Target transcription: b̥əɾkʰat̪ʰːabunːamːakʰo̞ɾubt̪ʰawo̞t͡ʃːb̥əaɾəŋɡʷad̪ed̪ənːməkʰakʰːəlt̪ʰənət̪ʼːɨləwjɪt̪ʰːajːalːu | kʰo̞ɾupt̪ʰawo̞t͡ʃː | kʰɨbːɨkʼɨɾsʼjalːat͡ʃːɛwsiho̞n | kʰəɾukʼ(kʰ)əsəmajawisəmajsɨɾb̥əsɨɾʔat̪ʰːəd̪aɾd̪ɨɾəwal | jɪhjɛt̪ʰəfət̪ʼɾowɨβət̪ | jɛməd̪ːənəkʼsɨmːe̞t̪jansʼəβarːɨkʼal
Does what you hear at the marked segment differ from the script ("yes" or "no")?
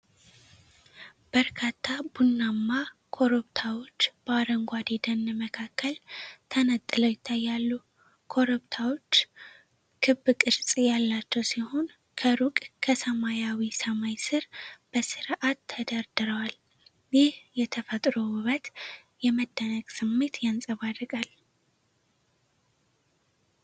no